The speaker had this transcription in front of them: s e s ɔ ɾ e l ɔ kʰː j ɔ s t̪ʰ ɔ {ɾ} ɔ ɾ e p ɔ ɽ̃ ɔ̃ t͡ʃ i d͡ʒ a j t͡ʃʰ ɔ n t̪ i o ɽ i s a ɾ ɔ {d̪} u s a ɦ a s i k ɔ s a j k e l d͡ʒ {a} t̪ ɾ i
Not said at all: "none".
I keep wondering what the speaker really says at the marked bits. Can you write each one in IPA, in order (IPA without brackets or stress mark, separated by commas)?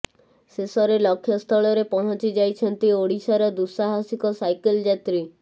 ɭ, d̪, a